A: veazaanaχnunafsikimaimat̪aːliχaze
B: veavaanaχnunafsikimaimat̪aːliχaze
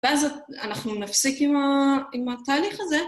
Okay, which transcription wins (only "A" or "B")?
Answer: A